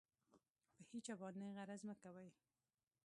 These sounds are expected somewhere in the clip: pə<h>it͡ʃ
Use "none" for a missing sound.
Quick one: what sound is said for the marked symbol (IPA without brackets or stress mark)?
h